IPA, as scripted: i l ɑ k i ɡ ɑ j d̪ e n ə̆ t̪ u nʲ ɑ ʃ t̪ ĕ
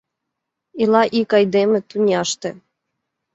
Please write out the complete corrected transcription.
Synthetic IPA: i l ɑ ʔ i k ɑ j d̪ e m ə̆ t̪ u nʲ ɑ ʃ t̪ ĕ